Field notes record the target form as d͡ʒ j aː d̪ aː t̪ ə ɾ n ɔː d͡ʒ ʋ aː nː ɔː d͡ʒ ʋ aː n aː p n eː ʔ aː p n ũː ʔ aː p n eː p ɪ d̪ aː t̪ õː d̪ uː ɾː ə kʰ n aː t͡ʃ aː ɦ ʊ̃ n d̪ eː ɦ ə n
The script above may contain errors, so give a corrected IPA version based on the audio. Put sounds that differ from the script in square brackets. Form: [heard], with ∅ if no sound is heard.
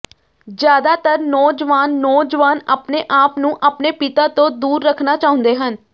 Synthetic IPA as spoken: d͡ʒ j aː d̪ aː t̪ ə ɾ n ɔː d͡ʒ ʋ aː nː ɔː d͡ʒ ʋ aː n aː p n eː ʔ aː p n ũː ʔ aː p n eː p ɪ [t̪] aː t̪ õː d̪ uː ɾː ə kʰ n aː t͡ʃ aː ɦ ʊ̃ n d̪ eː ɦ ə n

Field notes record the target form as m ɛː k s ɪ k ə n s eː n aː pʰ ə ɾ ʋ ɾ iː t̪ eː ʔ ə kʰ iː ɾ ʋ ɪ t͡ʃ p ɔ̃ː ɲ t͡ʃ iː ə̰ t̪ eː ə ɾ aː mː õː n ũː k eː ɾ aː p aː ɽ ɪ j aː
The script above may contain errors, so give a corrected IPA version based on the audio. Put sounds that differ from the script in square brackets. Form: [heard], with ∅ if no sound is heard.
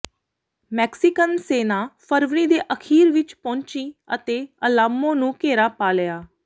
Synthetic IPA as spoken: m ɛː k s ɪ k ə n s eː n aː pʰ ə ɾ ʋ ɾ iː [d̪] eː ʔ ə kʰ iː ɾ ʋ ɪ t͡ʃ p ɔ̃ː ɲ t͡ʃ iː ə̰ t̪ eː ə [l] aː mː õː n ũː k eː ɾ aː p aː [l] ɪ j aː

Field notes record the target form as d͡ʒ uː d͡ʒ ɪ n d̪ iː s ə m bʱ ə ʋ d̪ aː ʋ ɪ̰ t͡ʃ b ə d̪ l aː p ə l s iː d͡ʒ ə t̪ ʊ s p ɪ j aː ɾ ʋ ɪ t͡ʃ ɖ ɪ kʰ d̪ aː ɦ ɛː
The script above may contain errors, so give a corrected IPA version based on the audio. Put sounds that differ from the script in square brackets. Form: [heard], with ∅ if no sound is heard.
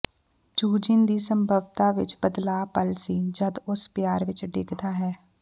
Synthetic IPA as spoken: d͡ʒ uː d͡ʒ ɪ n d̪ iː s ə m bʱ ə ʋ [t̪] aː ʋ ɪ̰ t͡ʃ b ə d̪ l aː p ə l s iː d͡ʒ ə [d̪] ʊ s p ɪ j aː ɾ ʋ ɪ t͡ʃ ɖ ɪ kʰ d̪ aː ɦ ɛː

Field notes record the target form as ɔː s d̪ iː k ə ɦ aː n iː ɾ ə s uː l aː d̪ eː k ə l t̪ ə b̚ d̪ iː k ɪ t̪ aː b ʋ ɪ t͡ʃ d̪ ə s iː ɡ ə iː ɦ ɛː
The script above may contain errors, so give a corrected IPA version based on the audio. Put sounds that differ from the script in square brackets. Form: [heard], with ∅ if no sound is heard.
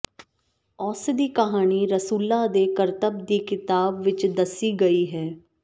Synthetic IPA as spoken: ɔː s d̪ iː k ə ɦ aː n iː ɾ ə s uː l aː d̪ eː k ə [ɾ] t̪ ə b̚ d̪ iː k ɪ t̪ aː b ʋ ɪ t͡ʃ d̪ ə s iː ɡ ə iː ɦ ɛː

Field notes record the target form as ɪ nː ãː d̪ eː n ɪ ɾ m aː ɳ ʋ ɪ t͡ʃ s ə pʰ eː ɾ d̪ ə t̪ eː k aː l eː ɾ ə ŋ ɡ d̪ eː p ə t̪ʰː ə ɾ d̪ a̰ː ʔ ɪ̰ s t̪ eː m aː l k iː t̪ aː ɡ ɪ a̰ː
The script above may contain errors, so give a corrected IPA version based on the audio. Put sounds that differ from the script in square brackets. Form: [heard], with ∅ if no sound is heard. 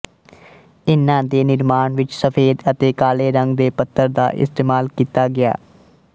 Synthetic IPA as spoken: ɪ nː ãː d̪ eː n ɪ ɾ m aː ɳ ʋ ɪ t͡ʃ s ə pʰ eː [∅] d̪ ə t̪ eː k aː l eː ɾ ə ŋ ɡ d̪ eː p ə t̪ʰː ə ɾ d̪ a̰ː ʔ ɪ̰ s t̪ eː m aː l k iː t̪ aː ɡ ɪ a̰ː

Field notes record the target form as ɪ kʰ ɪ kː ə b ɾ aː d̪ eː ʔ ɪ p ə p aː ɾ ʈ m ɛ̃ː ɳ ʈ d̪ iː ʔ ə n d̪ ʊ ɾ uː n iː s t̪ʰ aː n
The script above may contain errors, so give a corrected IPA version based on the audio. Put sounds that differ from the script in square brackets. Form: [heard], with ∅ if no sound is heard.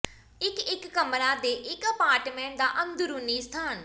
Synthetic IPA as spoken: ɪ [k] ɪ kː ə [m] ɾ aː d̪ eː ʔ ɪ [k] ə p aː ɾ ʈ m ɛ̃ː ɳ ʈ d̪ [aː] ʔ ə n d̪ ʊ ɾ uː n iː s t̪ʰ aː n

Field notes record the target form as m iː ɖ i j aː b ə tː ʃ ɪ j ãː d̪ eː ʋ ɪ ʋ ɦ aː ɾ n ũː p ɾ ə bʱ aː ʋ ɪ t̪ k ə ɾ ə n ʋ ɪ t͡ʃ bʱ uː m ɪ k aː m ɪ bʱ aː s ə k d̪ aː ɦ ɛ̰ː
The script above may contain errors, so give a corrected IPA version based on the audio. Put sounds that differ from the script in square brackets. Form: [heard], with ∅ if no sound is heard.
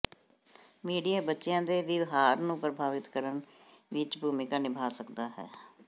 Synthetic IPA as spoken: m iː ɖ i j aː b ə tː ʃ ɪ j ãː d̪ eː ʋ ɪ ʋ ɦ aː ɾ n ũː p ɾ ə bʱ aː ʋ ɪ t̪ k ə ɾ ə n ʋ ɪ t͡ʃ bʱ uː m ɪ k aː [n] ɪ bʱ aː s ə k d̪ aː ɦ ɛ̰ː

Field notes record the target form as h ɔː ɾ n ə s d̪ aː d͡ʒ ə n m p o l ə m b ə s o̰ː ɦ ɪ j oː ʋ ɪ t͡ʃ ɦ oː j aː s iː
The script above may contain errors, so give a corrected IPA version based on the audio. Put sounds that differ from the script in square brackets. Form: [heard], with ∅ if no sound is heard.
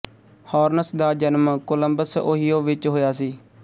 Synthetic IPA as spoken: h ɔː ɾ n ə s d̪ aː d͡ʒ ə n m [k] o l ə m b ə s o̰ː ɦ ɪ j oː ʋ ɪ t͡ʃ ɦ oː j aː s iː

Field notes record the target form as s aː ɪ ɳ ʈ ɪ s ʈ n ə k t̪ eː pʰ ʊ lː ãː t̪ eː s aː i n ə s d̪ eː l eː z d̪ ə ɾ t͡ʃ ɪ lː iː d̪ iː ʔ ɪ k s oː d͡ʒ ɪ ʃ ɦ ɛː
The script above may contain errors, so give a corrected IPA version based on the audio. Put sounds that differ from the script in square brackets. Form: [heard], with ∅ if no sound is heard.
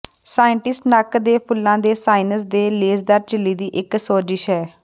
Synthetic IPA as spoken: s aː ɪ ɳ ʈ ɪ s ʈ n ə k [d̪] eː pʰ ʊ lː ãː [d̪] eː s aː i n ə s d̪ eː l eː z d̪ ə ɾ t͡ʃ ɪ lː iː d̪ iː ʔ ɪ k s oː d͡ʒ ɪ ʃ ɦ ɛː

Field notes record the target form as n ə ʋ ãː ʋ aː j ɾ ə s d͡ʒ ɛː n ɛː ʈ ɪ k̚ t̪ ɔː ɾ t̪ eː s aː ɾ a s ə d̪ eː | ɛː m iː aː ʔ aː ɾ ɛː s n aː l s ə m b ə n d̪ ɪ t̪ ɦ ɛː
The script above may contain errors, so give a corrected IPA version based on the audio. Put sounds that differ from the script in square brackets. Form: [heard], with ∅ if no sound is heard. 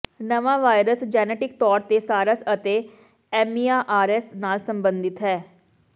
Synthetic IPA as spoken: n ə ʋ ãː ʋ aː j ɾ ə s d͡ʒ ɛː n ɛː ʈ ɪ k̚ t̪ ɔː ɾ t̪ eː s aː ɾ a s ə [t̪] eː | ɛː m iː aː ʔ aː ɾ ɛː s n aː l s ə m b ə n d̪ ɪ t̪ ɦ ɛː

